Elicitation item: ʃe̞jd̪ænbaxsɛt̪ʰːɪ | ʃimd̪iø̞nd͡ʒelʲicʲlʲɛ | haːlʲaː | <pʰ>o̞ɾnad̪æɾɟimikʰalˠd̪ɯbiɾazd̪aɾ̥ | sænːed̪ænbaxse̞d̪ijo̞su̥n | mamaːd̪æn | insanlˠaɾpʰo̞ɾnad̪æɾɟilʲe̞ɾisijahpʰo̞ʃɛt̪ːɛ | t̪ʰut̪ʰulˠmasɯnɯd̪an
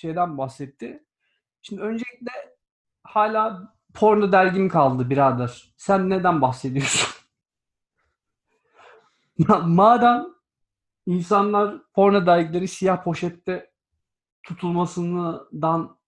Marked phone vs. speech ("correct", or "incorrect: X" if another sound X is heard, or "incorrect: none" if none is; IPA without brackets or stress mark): correct